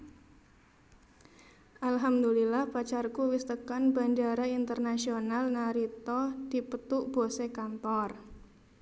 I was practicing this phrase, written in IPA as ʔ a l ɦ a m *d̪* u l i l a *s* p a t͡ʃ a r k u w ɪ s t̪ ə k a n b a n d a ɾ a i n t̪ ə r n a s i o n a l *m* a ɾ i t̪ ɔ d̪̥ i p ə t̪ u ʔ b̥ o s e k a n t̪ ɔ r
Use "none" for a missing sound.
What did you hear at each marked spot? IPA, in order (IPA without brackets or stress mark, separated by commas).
d̪, h, n